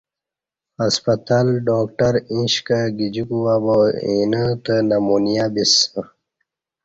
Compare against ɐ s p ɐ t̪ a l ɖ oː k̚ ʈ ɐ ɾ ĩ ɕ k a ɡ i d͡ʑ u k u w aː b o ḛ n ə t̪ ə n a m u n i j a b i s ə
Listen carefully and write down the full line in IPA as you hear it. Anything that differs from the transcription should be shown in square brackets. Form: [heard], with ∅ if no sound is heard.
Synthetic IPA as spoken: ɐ s p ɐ t̪ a l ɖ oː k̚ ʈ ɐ ɾ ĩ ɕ k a ɡ i d͡ʑ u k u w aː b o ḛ n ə t̪ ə n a m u n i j a b i s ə